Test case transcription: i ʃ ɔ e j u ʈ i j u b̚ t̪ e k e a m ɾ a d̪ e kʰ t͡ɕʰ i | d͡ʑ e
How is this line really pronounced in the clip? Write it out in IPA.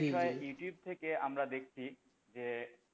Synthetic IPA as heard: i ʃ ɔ e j u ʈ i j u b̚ t̪ʰ e k e a m ɾ a d̪ e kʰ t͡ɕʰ i | d͡ʑ e